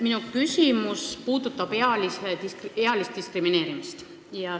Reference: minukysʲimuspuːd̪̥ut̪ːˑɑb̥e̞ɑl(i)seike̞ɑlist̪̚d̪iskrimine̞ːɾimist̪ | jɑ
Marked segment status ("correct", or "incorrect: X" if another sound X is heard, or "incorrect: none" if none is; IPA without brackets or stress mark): correct